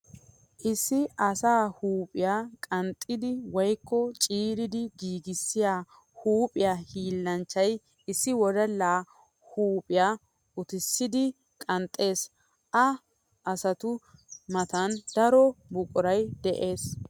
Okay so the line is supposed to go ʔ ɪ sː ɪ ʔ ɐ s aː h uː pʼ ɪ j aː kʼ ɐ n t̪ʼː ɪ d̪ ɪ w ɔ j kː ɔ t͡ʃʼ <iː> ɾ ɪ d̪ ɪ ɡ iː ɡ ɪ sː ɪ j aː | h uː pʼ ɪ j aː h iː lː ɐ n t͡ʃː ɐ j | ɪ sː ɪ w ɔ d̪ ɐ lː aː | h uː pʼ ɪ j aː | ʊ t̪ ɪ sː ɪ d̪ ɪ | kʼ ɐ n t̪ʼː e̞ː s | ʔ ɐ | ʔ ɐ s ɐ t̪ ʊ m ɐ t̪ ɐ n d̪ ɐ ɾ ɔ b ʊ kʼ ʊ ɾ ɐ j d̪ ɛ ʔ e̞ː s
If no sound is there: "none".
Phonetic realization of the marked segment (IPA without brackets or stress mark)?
iː